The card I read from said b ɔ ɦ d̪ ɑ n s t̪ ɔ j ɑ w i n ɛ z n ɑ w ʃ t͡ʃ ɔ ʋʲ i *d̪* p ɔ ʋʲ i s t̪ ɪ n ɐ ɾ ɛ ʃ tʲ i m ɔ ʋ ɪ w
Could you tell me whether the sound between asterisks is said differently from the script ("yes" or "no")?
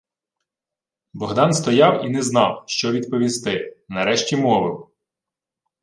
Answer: no